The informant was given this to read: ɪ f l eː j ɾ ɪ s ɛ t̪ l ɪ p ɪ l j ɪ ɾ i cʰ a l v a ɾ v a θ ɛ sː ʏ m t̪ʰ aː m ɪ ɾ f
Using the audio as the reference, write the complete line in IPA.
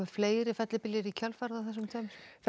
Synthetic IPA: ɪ f l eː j ɾ ɪ f ɛ t̪ l ɪ p ɪ l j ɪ ɾ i cʰ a l f a ɾ ð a θ ɛ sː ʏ m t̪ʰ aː m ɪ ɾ f